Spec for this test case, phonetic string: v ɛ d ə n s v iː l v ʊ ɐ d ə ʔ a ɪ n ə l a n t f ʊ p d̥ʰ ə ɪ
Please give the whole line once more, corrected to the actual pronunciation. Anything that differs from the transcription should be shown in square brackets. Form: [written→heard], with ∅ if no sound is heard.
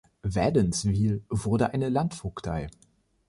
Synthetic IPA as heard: v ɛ d ə n s v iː l v ʊ ɐ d ə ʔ a ɪ n ə l a n t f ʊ [p→k] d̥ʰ [ə→a] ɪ